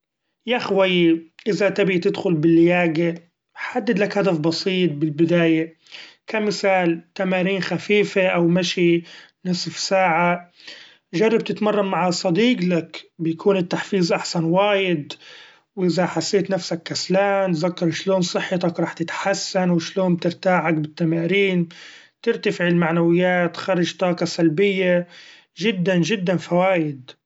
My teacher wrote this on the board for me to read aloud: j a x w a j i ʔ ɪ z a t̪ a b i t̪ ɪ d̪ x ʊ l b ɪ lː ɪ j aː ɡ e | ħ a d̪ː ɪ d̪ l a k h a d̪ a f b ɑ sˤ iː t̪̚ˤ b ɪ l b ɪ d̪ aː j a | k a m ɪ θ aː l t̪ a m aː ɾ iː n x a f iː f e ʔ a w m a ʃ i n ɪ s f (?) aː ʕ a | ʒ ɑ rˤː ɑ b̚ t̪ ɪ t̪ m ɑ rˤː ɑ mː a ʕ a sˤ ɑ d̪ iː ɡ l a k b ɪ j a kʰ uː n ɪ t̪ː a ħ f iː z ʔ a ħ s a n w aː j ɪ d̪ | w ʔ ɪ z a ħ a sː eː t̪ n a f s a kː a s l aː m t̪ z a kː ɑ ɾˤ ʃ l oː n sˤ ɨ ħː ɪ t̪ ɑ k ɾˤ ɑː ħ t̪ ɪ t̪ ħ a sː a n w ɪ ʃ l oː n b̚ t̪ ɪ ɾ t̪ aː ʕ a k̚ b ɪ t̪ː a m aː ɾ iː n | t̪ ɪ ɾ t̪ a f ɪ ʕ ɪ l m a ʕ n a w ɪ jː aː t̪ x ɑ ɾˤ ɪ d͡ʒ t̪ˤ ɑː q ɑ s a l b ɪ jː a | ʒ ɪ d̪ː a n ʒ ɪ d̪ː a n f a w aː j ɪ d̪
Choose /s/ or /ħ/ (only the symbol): s